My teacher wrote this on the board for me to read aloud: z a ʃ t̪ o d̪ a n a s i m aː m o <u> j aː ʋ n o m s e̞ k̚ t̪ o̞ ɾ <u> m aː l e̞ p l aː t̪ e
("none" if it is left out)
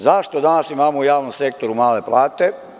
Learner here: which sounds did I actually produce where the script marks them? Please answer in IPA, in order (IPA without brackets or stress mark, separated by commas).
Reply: u, u